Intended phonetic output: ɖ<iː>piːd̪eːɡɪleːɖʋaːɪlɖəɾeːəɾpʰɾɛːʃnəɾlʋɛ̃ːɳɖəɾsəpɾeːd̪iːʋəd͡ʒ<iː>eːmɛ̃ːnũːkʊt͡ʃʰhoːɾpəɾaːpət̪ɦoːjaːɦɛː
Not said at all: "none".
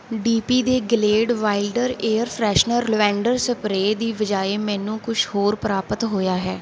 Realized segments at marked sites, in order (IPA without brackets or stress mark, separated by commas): iː, aː